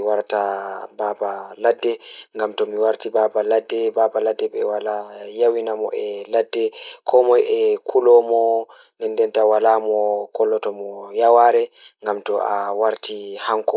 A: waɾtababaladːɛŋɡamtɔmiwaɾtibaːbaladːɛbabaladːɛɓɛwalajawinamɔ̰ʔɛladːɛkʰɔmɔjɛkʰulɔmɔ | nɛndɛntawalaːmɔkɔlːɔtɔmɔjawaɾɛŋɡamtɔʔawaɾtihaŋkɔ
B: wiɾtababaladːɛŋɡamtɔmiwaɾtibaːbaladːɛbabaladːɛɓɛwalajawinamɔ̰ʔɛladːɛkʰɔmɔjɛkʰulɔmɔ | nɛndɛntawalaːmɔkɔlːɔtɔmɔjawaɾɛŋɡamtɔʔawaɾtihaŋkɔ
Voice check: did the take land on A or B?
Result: A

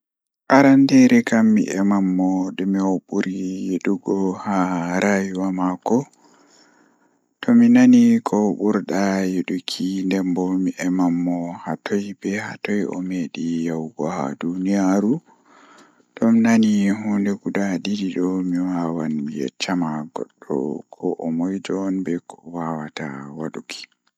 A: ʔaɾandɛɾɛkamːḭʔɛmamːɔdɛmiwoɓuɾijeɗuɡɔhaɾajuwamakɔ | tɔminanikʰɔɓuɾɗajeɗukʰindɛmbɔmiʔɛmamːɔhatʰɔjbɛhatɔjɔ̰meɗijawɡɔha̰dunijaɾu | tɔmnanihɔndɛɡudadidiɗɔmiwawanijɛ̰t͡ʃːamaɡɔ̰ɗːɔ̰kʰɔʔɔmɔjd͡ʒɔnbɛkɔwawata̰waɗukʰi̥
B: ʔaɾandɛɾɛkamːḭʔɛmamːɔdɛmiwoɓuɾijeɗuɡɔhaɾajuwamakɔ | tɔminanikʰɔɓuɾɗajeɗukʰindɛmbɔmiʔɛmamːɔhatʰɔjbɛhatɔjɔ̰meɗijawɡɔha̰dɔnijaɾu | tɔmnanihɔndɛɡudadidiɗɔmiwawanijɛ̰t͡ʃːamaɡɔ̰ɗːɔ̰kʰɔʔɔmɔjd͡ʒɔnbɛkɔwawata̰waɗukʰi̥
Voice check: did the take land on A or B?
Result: A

